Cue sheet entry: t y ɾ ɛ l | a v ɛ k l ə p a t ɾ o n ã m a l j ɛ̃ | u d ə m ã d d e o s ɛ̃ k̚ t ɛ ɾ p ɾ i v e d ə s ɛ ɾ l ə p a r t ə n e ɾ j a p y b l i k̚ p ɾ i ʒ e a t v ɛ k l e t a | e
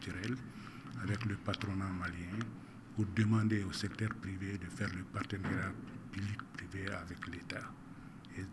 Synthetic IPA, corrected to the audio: t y ɾ ɛ l | a v ɛ k l ə p a t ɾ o n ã m a l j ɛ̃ | u d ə m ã n d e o s ɛ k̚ t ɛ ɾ p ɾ i v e d ə f ɛ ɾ l ə p a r t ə n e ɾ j a p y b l i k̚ p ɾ i v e a v ɛ k l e t a | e